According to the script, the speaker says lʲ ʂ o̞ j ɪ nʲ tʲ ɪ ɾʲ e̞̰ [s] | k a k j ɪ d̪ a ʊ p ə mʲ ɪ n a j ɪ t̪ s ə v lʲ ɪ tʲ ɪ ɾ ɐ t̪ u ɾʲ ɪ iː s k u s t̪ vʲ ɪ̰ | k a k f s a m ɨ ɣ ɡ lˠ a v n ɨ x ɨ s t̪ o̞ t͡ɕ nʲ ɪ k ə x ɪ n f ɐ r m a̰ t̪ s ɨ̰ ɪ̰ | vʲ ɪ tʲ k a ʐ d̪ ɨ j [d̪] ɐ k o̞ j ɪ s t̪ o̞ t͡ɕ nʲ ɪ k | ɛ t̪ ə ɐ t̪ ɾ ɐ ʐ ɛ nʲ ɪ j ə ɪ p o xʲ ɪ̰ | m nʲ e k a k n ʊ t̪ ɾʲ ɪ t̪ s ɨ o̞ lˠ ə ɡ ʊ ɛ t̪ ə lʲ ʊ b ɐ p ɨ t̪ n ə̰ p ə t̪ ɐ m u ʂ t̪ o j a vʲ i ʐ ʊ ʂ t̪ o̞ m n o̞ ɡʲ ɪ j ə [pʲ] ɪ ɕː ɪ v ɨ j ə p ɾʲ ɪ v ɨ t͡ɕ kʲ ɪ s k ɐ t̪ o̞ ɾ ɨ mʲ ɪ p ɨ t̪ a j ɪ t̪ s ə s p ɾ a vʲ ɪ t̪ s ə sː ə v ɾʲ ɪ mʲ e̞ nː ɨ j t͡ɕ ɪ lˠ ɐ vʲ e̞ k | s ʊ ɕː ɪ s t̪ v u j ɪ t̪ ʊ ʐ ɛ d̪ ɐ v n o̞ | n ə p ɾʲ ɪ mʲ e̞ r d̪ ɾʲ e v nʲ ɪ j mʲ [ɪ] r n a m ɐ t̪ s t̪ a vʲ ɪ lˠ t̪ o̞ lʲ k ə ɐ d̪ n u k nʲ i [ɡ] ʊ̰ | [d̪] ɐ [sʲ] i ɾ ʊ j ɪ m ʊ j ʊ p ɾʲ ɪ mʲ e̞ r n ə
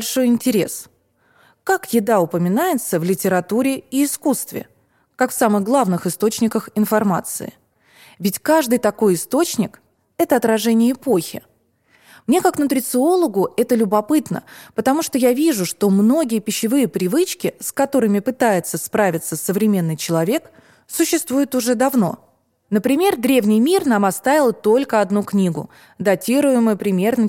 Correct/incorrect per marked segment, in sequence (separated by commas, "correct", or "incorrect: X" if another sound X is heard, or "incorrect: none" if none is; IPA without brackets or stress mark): correct, incorrect: t̪, correct, incorrect: i, correct, correct, incorrect: tʲ